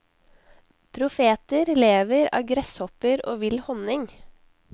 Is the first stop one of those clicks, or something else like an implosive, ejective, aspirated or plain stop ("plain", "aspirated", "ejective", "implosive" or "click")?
aspirated